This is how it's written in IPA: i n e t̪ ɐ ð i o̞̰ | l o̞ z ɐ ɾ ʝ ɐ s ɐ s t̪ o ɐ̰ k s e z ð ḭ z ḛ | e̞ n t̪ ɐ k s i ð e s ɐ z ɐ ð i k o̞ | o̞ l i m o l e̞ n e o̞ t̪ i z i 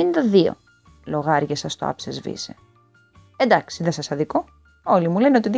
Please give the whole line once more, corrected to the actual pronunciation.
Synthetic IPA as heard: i n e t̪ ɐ ð i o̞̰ | l o̞ ɣ ɐ ɾ ʝ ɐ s ɐ s t̪ o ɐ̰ p s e z v ḭ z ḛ | e̞ n d̪ ɐ k s i ð e s ɐ s ɐ ð i k o̞ | o̞ l i m u l e̞ n e o̞ t̪ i ð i